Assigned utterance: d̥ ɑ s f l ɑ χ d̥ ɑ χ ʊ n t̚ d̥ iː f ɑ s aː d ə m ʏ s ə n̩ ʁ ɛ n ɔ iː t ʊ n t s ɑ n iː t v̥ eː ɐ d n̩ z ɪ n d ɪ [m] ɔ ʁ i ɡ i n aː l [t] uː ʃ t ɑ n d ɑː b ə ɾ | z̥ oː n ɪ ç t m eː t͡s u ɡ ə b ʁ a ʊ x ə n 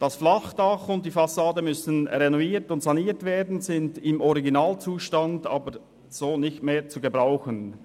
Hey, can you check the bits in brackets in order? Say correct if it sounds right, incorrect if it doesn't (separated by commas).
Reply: correct, incorrect